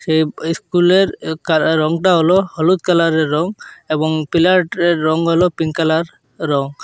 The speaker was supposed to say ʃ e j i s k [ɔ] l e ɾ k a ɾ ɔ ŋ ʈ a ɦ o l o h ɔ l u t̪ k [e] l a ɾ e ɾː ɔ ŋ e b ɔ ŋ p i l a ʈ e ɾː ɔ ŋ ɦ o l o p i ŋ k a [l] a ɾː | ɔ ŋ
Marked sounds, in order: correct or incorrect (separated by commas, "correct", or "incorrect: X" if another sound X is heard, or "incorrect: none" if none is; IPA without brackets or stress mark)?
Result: incorrect: u, incorrect: a, correct